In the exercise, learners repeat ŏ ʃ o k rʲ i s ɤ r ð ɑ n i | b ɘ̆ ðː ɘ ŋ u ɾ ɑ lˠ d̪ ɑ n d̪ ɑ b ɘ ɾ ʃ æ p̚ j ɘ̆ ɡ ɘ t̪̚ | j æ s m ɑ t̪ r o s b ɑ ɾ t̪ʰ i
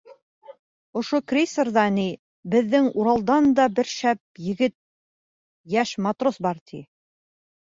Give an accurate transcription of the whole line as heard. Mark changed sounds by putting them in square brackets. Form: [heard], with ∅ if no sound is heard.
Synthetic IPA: ŏ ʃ o k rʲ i s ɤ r ð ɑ n i | b ɘ̆ ðː ɘ ŋ u ɾ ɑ lˠ d̪ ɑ n d̪ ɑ b ɘ ɾ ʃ æ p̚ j ɘ̆ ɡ ɘ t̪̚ | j æ [ʃ] m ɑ t̪ r o s b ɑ ɾ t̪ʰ i